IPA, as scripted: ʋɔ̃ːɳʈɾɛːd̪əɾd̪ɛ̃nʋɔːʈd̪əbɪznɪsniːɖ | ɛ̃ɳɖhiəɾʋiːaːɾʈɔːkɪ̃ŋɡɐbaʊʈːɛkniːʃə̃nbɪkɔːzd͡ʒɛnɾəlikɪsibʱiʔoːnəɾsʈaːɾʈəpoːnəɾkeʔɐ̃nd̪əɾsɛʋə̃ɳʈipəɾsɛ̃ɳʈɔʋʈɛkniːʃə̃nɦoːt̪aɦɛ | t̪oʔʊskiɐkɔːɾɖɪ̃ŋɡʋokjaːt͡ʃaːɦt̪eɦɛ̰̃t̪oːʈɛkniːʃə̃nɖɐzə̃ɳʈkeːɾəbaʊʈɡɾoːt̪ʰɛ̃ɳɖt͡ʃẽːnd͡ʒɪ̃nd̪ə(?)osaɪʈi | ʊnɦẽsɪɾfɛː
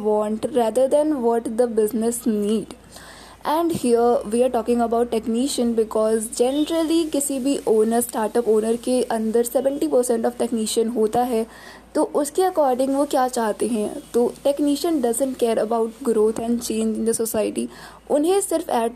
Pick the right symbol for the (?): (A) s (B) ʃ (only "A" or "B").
A